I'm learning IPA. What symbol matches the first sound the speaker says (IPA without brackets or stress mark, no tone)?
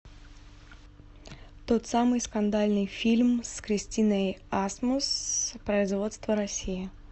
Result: t̪